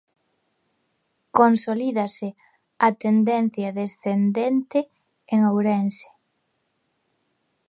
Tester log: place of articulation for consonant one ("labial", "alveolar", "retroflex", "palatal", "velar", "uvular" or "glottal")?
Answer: velar